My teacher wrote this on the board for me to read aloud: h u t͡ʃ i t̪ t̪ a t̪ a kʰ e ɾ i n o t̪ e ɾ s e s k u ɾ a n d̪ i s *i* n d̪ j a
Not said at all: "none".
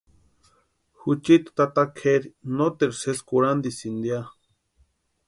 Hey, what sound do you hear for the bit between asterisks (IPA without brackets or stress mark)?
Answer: i